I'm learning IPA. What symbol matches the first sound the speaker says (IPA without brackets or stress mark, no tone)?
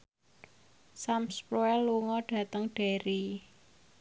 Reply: s